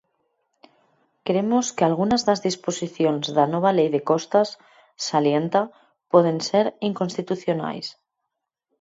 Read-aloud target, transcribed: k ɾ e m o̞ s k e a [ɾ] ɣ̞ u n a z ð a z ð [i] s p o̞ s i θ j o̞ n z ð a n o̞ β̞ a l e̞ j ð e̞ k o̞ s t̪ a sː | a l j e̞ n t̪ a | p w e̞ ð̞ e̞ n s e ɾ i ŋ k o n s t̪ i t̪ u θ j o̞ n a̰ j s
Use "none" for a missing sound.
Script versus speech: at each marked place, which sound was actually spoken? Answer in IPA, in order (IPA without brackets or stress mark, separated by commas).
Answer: l, i